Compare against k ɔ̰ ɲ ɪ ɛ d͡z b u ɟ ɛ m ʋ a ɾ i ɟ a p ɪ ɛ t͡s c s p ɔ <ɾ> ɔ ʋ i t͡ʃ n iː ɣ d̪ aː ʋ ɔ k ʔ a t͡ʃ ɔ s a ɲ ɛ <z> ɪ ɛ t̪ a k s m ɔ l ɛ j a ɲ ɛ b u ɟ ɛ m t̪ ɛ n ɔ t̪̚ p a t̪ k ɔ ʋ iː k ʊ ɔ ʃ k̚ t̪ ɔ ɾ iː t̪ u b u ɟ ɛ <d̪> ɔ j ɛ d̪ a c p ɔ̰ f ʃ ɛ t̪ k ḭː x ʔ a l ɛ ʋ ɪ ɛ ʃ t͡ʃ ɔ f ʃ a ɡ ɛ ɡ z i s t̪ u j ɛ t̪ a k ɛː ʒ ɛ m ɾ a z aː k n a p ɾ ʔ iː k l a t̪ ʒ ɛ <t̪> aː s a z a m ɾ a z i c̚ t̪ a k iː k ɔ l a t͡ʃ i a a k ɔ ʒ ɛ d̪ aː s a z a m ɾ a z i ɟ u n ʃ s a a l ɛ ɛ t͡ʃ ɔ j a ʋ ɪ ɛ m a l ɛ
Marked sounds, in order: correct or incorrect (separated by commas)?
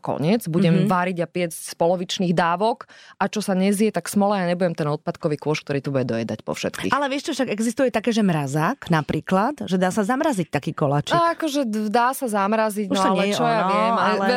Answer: incorrect, correct, correct, incorrect